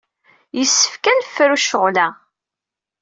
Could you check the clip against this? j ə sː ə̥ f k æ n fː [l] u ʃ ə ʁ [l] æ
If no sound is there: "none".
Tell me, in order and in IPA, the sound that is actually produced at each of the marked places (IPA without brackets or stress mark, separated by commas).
ɾ, l